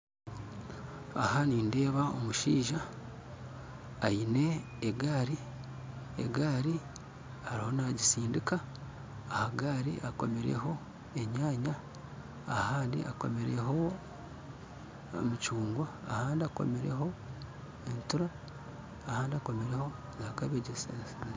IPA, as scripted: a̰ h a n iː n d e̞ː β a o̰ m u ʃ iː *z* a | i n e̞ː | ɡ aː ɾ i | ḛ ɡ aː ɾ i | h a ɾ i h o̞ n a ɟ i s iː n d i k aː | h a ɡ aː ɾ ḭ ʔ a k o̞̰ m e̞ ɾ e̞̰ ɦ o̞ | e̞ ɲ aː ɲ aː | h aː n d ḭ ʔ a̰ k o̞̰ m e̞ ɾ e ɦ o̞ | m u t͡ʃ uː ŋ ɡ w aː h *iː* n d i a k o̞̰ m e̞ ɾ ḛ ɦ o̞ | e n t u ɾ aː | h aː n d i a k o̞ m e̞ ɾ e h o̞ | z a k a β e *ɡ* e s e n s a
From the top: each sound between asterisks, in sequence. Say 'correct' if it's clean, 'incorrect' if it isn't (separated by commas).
incorrect, incorrect, incorrect